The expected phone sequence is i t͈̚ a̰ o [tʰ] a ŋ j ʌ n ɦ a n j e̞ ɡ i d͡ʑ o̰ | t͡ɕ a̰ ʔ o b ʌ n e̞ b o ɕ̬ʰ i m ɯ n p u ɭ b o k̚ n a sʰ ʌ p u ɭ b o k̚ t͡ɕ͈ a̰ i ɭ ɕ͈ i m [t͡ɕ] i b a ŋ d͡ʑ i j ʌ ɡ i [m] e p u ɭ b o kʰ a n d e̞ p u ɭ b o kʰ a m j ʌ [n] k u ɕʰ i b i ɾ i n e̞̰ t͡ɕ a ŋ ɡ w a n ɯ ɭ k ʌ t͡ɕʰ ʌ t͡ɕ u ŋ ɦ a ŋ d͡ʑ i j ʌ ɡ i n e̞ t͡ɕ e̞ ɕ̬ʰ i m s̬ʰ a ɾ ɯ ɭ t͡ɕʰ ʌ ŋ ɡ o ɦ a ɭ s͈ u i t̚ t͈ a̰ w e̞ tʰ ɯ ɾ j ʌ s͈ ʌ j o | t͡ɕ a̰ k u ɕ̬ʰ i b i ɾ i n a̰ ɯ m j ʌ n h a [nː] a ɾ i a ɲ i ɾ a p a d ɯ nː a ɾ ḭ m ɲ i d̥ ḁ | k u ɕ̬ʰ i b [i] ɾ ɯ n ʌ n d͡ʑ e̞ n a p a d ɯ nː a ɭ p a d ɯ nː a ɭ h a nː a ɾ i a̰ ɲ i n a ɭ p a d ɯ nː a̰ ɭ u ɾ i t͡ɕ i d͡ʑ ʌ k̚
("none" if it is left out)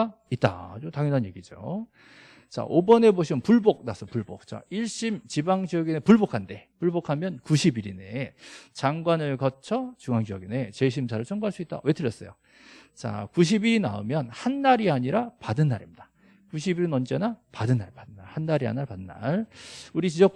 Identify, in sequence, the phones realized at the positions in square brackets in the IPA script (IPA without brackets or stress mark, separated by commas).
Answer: t, t͡ɕ, n, n, nː, i